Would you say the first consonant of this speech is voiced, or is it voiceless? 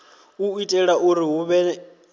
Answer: voiceless